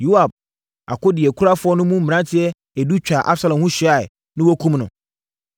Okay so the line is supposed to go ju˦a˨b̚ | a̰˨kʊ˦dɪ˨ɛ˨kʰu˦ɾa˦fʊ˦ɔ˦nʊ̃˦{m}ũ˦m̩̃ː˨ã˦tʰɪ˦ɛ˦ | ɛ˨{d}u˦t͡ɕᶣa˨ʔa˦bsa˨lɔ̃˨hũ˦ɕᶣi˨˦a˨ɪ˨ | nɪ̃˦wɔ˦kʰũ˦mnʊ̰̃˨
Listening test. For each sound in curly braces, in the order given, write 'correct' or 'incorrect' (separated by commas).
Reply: correct, correct